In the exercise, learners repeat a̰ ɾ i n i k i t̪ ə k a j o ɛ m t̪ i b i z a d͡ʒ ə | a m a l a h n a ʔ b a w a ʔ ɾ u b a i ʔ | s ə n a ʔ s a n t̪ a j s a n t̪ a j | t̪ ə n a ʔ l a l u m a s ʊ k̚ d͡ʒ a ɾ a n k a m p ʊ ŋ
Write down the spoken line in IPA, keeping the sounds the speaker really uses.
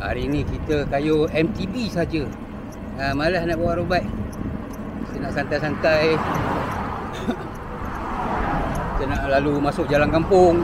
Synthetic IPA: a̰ ɾ i n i k i t̪ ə k a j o ɛ m t̪ i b i s a d͡ʒ ə | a m a l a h n a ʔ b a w a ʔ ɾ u b a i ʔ | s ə n a ʔ s a n t̪ a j s a n t̪ a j | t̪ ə n a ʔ l a l u m a s ʊ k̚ d͡ʒ a l a n k a m p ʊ ŋ